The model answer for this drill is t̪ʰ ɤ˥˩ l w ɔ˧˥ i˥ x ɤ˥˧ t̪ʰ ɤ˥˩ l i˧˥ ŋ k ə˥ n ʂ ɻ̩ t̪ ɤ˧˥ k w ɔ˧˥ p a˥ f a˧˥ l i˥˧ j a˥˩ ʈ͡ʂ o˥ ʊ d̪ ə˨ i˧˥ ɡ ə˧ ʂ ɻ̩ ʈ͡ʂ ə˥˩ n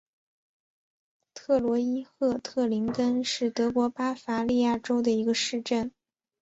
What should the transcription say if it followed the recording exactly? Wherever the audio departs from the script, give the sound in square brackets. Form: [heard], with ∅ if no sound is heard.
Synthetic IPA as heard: t̪ʰ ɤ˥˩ l w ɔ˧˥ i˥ x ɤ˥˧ t̪ʰ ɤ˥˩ l i˧˥ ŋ k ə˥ n ʂ ɻ̩ t̪ ɤ˧˥ k w ɔ˧˥ p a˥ f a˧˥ l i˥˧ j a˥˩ ʈ͡ʂ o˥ ʊ d̪ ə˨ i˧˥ ɡ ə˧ ʂ ɻ̩ ʈ͡ʂ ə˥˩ n